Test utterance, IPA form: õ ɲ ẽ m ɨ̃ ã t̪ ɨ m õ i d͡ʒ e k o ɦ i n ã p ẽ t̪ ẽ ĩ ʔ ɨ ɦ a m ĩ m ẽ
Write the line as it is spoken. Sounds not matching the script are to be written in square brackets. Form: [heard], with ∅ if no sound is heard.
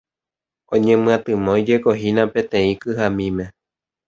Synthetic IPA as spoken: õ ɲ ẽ m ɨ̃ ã t̪ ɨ m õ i d͡ʒ e k o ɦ i n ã p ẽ t̪ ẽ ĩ [k] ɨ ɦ a m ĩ m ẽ